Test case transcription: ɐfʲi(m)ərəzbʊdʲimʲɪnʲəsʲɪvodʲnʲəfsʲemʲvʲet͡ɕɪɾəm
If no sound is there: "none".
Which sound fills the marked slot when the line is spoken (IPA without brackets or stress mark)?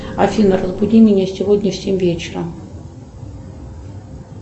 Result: n